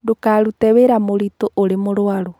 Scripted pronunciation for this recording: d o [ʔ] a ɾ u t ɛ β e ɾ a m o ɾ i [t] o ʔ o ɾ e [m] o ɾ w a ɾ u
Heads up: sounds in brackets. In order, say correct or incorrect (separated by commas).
incorrect, correct, correct